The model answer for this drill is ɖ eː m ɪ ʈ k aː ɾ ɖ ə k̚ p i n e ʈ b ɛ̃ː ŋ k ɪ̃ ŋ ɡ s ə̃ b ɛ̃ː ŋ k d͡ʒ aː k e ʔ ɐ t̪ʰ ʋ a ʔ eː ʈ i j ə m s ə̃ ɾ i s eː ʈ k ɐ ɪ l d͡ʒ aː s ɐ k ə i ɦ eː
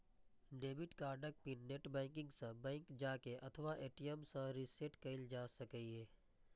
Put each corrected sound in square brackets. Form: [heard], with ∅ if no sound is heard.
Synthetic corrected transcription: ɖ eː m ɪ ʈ k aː ɾ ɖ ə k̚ p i n e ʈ b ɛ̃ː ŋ k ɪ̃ ŋ ɡ s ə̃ b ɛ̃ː ŋ k d͡ʒ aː k e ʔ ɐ t̪ʰ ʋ a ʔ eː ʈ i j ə m s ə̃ ɾ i s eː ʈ k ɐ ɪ l d͡ʒ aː s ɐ k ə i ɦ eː